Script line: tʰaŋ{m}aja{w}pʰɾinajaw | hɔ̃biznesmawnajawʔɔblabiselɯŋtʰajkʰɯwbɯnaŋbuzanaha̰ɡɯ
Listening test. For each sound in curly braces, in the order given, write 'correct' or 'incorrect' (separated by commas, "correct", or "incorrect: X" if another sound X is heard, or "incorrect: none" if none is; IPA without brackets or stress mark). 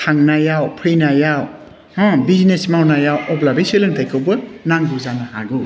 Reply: incorrect: n, correct